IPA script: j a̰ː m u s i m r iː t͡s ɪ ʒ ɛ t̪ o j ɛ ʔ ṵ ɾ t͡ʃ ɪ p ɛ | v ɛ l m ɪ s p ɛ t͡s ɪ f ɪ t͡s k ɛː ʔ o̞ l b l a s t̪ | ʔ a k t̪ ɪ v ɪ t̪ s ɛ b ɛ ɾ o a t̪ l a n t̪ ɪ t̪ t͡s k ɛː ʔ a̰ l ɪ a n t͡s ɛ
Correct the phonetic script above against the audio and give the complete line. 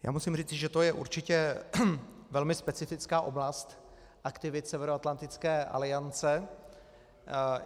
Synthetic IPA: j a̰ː m u s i m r iː t͡s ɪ ʒ ɛ t̪ o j ɛ ʔ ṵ ɾ t͡ʃ ɪ c ɛ | v ɛ l m ɪ s p ɛ t͡s ɪ f ɪ t͡s k aː ʔ o̞ b l a s t̪ | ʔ a k t̪ ɪ v ɪ t̪ s ɛ v ɛ ɾ o a t̪ l a n t̪ ɪ t͡s k ɛː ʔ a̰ l ɪ a n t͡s ɛ